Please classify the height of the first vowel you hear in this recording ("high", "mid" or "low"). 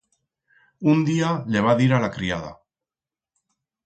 high